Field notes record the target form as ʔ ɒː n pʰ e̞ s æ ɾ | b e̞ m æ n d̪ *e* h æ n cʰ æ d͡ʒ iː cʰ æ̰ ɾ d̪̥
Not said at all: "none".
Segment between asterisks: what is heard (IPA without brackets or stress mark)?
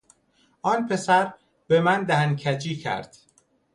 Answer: æ